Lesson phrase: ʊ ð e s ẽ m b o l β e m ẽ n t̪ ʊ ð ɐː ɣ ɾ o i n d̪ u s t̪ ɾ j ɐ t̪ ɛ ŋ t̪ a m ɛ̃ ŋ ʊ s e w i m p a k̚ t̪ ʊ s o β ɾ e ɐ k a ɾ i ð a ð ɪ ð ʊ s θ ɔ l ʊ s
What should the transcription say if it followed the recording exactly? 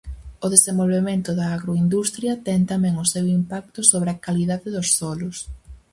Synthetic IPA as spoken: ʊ ð e s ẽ m b o l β e m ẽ n t̪ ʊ ð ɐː ɣ ɾ o i n d̪ u s t̪ ɾ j ɐ t̪ ɛ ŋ t̪ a m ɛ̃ ŋ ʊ s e w i m p a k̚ t̪ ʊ s o β ɾ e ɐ k a l i ð a ð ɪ ð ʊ s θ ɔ l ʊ s